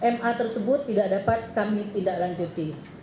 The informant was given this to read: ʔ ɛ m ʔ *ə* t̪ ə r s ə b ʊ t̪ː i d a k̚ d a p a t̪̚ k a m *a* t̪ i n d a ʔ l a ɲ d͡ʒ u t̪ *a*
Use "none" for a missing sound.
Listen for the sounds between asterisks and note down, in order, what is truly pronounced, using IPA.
a, i, i

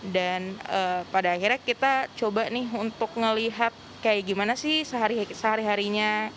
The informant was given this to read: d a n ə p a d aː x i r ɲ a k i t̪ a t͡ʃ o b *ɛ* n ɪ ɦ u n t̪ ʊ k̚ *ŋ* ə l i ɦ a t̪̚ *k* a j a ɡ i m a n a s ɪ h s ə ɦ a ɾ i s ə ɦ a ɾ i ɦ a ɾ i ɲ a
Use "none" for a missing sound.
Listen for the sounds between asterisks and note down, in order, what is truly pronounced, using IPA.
a, ŋ, k

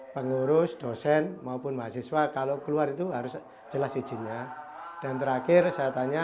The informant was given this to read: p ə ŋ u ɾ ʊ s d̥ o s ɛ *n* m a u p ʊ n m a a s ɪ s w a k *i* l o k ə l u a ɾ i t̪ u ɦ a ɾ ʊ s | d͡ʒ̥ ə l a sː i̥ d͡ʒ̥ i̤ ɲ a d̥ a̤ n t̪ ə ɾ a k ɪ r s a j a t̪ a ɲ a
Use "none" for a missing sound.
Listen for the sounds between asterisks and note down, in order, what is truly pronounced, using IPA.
n, a

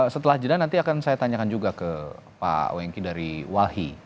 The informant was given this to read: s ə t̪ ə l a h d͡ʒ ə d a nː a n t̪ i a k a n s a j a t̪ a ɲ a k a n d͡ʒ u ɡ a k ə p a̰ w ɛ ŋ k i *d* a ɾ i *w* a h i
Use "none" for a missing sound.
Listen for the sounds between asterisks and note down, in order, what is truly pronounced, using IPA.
d, w

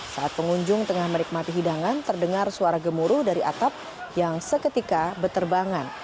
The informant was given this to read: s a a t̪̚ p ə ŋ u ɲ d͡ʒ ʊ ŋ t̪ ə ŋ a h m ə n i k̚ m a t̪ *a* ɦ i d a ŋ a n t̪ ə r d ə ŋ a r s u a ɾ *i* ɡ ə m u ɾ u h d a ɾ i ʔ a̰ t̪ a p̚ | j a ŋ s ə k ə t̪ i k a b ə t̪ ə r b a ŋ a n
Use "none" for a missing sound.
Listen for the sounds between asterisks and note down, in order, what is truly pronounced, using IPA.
i, a

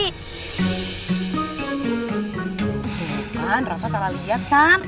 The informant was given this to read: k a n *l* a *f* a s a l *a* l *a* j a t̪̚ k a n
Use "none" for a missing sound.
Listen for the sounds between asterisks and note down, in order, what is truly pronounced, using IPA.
r, f, a, i

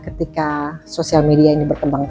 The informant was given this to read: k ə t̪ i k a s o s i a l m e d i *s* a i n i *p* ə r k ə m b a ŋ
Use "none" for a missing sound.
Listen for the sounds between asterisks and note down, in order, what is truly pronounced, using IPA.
none, b

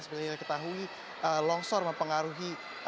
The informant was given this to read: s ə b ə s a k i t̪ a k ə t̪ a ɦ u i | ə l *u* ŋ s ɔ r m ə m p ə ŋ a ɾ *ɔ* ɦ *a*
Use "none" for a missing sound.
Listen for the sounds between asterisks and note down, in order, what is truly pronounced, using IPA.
ɔ, u, i

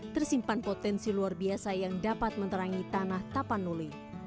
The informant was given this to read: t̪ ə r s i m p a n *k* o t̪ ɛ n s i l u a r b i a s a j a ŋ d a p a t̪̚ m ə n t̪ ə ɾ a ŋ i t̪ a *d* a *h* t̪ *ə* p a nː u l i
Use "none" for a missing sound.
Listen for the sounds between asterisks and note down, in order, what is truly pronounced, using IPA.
p, n, h, a

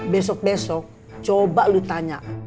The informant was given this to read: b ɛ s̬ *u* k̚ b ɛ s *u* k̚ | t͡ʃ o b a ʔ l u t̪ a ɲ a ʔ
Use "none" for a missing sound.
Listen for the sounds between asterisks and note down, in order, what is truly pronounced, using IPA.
ɔ, ɔ

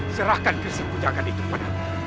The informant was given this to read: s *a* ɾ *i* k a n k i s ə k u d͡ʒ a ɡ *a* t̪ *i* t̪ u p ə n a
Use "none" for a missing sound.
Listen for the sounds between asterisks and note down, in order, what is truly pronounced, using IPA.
ə, a, a, i

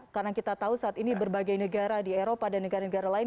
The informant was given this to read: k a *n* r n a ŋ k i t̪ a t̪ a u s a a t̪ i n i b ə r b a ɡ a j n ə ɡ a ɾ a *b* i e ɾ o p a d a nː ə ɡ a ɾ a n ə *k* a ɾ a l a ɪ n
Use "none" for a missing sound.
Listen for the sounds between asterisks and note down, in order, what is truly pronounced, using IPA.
none, d, ɡ

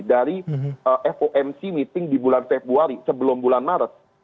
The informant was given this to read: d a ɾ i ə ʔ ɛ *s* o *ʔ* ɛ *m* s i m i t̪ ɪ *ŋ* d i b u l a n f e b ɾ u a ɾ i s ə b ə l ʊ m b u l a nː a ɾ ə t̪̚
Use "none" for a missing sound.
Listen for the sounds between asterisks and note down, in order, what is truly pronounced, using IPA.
f, ʔ, m, ŋ

